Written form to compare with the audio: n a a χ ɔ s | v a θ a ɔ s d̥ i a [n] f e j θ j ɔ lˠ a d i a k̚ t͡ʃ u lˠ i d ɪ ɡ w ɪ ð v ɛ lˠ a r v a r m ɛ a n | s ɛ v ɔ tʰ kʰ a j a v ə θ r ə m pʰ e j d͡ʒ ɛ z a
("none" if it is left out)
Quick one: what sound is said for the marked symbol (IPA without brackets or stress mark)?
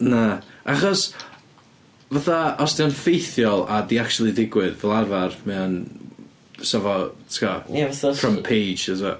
n